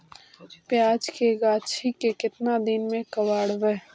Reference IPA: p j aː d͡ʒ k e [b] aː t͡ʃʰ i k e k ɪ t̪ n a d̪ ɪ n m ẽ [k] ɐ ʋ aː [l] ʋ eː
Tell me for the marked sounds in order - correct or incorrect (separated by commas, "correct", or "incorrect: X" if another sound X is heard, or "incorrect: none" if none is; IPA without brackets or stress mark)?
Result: incorrect: ɡ, correct, incorrect: ɽ